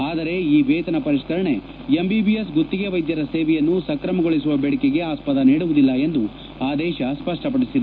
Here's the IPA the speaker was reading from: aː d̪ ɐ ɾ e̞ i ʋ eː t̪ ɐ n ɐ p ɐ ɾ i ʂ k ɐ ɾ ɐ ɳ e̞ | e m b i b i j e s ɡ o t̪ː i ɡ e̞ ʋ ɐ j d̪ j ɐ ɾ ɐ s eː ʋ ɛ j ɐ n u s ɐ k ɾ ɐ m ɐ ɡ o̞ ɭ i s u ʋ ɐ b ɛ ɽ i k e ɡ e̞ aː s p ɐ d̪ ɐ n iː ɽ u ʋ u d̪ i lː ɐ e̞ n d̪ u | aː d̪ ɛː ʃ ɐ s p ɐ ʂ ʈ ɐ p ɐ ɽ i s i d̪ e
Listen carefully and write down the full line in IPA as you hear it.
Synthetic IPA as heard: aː d̪ ɐ ɾ e̞ iː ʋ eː t̪ ɐ n ɐ p ɐ ɾ i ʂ k ɐ ɾ ɐ ɳ e̞ | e m b i b i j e s ɡ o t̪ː i ɡ e̞ ʋ ɐ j d̪ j ɐ ɾ ɐ s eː ʋ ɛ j ɐ nː u s ɐ k ɾ ɐ m ɐ ɡ o̞ ɭ i s u ʋ ɐ b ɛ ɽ i k e ɡ e̞ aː s p ɐ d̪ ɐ n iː ɽ u ʋ u d̪ i lː ɐ e̞ n d̪ u | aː d̪ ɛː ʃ ɐ s p ɐ ʂ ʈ ɐ p ɐ ɽ i s i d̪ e